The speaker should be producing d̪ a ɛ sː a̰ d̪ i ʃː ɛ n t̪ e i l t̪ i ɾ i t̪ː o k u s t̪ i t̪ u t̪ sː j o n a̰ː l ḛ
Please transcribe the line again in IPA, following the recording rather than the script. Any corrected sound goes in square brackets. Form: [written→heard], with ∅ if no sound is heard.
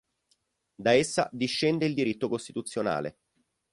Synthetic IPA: d̪ a [ɛ→e] sː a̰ d̪ i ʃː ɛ n [t̪→d̪] e i l [t̪→d̪] i ɾ i t̪ː o k [u→o] s t̪ i t̪ u t̪ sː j o n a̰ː l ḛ